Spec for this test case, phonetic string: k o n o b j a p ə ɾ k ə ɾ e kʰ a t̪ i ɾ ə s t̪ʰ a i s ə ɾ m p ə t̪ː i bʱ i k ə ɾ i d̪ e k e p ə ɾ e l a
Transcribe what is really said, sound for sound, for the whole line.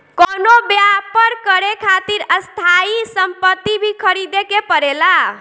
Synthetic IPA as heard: k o n o b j a p ə ɾ k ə ɾ e kʰ a t̪ i ɾ ə s t̪ʰ a i s ə m p ə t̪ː i bʱ i kʰ ə ɾ i d̪ e k e p ə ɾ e l a